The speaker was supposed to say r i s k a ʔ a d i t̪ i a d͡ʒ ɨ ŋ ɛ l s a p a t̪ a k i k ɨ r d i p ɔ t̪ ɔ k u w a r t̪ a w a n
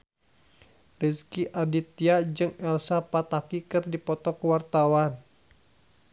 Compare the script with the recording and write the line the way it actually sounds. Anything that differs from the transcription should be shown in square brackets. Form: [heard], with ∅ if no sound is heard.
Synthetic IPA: r i s k [i] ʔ a d i t̪ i a d͡ʒ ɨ ŋ ɛ l s a p a t̪ a k i k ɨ r d i p ɔ t̪ ɔ k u w a r t̪ a w a n